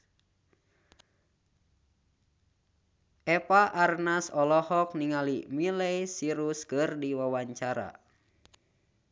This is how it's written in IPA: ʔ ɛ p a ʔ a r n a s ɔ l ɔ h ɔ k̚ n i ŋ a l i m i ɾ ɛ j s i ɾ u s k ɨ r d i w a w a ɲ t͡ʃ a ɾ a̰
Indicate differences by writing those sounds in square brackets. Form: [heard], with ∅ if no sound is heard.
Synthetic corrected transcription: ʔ ɛ p a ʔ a r n a s ɔ l ɔ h ɔ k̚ n i ŋ a l i m i [l] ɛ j s i ɾ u s k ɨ r d i w a w a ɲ t͡ʃ a ɾ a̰